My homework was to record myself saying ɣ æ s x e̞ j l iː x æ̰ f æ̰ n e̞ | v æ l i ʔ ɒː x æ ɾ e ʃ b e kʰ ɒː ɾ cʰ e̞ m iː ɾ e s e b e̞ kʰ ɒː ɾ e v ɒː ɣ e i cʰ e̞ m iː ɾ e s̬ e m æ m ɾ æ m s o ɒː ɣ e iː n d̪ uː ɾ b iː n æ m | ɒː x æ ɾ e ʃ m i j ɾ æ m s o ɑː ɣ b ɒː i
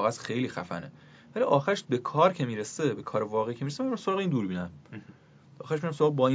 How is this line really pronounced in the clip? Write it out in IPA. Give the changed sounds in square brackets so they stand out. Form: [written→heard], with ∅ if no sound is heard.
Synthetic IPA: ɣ æ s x e̞ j l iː x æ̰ f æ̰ n e̞ | v æ l i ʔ ɒː x æ ɾ e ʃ b e kʰ ɒː ɾ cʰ e̞ m iː ɾ e s e b e̞ kʰ ɒː ɾ e v ɒː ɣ e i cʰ e̞ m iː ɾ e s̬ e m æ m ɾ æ m s o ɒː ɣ e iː n d̪ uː ɾ b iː n æ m | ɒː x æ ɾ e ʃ m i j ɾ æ m s o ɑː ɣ b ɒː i